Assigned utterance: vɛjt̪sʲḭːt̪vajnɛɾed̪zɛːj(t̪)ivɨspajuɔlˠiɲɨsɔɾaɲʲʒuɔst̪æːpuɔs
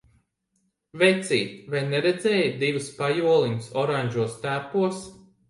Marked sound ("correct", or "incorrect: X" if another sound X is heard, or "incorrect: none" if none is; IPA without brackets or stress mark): incorrect: d̪